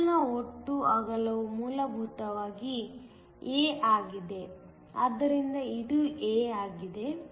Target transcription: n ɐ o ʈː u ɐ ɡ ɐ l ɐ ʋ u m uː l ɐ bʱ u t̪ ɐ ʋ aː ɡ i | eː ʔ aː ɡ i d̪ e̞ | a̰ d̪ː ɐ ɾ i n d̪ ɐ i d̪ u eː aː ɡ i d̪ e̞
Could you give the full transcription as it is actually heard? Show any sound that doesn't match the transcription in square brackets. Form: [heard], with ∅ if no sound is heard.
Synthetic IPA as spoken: n ɐ o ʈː u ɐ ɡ ɐ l ɐ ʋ u m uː l ɐ bʱ u t̪ ɐ ʋ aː ɡ i | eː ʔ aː ɡ i d̪ e̞ | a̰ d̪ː ɐ ɾ i n d̪ ɐ i d̪ u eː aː ɡ i d̪ e̞